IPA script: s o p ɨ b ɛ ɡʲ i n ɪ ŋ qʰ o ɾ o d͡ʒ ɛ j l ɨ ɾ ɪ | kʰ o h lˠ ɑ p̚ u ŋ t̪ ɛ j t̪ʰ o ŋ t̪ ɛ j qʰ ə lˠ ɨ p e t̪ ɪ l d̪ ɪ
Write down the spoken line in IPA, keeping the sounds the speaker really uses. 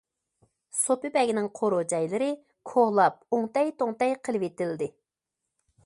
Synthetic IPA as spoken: s o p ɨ b ɛ ɡʲ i n ɪ ŋ qʰ o ɾ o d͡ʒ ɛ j l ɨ ɾ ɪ | kʰ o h lˠ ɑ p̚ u ŋ t̪ ɛ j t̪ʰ o ŋ t̪ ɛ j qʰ ə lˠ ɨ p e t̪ ɪ l d̪ ɪ

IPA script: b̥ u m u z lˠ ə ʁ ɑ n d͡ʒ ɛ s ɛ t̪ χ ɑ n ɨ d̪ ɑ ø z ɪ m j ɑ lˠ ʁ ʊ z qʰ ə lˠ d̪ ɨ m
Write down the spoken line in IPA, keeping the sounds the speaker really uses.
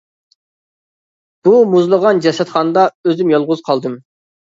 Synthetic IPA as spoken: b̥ u m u z lˠ ə ʁ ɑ n d͡ʒ ɛ s ɛ t̪ χ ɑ n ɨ d̪ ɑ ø z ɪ m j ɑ lˠ ʁ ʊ z qʰ ɑ lˠ d̪ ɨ m

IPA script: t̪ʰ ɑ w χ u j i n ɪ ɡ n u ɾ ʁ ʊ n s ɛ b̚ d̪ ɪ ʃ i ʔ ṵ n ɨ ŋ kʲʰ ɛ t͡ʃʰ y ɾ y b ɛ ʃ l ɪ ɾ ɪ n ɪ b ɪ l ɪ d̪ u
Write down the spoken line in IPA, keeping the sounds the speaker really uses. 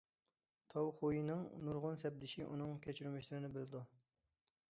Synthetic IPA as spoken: t̪ʰ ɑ w χ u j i n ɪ ŋ n u ɾ ʁ ʊ n s ɛ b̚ d̪ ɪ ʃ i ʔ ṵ n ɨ ŋ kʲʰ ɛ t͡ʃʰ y ɾ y m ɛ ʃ l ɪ ɾ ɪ n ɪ b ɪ l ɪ d̪ u

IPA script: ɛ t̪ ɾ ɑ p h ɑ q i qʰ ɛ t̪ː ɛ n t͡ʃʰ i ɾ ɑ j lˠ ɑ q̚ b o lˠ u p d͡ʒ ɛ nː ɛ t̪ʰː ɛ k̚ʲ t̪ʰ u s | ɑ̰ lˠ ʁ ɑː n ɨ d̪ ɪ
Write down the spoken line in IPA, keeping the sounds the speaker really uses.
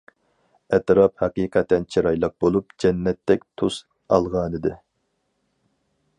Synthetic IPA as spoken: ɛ t̪ ɾ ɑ p h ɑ q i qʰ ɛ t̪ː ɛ n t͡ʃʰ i ɾ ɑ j lˠ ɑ q̚ b o lˠ u p d͡ʒ ɛ nː ɛ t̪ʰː ɛ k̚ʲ t̪ʰ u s | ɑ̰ lˠ ʁ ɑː n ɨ d̪ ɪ

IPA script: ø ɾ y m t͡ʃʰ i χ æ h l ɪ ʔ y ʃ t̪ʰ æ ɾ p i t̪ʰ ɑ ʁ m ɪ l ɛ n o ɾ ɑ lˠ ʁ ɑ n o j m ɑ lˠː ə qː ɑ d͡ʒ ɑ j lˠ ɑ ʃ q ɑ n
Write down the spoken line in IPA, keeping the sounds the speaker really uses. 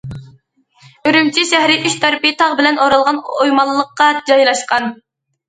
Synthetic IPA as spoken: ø ɾ y m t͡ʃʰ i ʃ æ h ɾ ɪ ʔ y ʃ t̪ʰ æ ɾ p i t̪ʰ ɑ ʁ b ɪ l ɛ n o ɾ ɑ lˠ ʁ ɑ n o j m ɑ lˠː ə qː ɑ d͡ʒ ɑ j lˠ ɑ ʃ q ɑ n

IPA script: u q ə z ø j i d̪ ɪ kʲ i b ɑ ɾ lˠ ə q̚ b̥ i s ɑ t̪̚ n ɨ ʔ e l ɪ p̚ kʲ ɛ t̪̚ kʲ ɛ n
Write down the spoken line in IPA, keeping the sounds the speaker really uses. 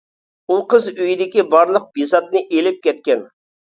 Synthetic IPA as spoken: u q ə z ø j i d̪ ɪ kʲ i b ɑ ɾ lˠ ə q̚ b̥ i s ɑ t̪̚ n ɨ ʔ e l ɪ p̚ kʲ ɛ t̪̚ kʲ ɛ n

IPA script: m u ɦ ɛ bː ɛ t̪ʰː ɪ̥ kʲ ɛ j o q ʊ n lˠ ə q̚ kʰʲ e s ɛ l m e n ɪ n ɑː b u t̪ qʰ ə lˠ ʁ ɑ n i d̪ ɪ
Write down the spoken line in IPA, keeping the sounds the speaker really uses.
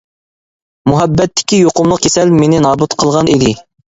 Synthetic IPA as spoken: m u ɦ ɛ bː ɛ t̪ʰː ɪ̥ kʲ i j o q ʊ m lˠ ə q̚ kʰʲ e s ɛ l m e n ɪ n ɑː b u t̪ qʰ ə lˠ ʁ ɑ n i d̪ ɪ

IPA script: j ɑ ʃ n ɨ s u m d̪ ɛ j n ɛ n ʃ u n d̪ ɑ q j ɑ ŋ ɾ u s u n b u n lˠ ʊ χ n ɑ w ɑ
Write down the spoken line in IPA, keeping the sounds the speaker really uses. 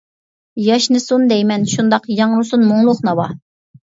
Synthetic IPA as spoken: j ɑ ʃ n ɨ s u n d̪ ɛ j m ɛ n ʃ u n d̪ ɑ q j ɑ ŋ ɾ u s u n m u ŋ lˠ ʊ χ n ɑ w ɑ

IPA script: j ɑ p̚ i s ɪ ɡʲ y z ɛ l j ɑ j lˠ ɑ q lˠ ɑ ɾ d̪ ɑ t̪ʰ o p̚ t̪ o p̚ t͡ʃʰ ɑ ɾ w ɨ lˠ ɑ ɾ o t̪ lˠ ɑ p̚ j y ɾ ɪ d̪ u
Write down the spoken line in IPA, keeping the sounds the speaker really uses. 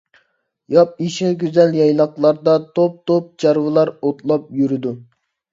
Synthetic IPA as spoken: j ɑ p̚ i ʃ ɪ ɡʲ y z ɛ l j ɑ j lˠ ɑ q lˠ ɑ ɾ d̪ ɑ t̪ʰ o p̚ t̪ o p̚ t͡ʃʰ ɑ ɾ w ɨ lˠ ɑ ɾ o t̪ lˠ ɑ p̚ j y ɾ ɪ d̪ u

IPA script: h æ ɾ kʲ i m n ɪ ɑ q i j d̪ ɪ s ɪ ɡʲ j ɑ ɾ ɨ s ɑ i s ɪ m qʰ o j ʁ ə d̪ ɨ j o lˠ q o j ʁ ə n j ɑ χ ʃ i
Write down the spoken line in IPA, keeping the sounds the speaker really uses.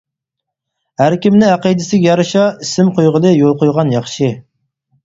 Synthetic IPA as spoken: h æ ɾ kʲ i m n ɪ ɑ q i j d̪ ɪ s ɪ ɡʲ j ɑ ɾ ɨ ʃ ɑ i s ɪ m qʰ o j ʁ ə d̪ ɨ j o lˠ q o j ʁ ɑ n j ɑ χ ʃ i

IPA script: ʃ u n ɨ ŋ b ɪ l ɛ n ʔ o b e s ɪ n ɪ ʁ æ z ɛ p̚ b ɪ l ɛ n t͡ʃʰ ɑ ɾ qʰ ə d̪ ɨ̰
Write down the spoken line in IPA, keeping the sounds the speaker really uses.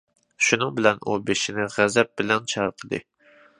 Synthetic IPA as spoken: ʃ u n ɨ ŋ b ɪ l ɛ n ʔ u b e ʃ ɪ n ɪ ʁ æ z ɛ p̚ b ɪ l ɛ n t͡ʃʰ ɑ ɾ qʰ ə d̪ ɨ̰

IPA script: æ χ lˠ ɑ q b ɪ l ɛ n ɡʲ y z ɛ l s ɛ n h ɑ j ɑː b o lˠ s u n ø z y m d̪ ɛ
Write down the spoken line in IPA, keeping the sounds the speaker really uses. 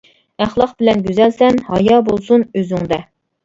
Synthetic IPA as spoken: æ χ lˠ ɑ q b ɪ l ɛ n ɡʲ y z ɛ l s ɛ n h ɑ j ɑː b o lˠ s u n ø z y ŋ d̪ ɛ

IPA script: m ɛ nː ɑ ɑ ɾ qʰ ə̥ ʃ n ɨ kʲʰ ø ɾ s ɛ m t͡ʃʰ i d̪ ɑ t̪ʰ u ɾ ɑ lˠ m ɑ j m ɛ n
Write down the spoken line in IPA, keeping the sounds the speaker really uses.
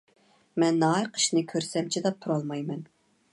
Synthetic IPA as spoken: m ɛ nː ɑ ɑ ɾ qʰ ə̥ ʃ n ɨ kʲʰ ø ɾ s ɛ m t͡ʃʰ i d̪ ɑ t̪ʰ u ɾ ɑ lˠ m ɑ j m ɛ n

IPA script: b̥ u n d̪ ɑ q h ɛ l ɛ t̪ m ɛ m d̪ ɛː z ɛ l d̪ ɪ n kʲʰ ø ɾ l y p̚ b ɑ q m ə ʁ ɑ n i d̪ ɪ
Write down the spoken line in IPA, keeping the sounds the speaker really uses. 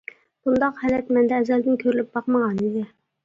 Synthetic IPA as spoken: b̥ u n d̪ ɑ q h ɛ l ɛ t̪ m ɛ n d̪ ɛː z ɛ l d̪ ɪ n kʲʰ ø ɾ l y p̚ b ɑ q m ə ʁ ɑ n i d̪ ɪ

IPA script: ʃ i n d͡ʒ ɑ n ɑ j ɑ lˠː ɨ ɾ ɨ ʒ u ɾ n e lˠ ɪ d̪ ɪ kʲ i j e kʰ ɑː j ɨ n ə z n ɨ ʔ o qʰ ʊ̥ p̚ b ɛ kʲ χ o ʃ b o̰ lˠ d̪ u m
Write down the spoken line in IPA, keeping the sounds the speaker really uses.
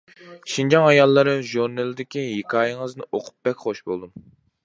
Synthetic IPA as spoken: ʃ i n d͡ʒ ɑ ŋ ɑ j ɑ lˠː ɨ ɾ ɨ ʒ u ɾ n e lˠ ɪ d̪ ɪ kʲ i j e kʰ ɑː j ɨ ŋ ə z n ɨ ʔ o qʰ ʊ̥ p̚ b ɛ kʲ χ o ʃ b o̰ lˠ d̪ u m

